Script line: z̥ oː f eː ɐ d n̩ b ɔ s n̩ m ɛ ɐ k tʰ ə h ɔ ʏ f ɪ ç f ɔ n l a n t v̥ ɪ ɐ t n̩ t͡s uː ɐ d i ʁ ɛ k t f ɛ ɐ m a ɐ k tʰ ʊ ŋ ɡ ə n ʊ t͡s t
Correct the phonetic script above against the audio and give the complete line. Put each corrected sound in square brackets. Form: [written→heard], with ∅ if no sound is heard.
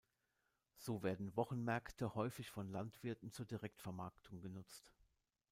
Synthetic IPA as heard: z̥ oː [f→v] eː ɐ d n̩ [b→v] ɔ [s→χ] n̩ m ɛ ɐ k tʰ ə h ɔ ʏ f ɪ ç f ɔ n l a n t v̥ ɪ ɐ t n̩ t͡s uː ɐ d i ʁ ɛ k t f ɛ ɐ m a ɐ k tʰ ʊ ŋ ɡ ə n ʊ t͡s t